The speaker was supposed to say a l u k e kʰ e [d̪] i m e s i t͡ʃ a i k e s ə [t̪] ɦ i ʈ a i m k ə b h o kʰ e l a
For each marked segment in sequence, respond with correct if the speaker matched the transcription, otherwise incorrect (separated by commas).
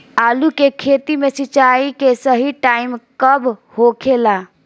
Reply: incorrect, incorrect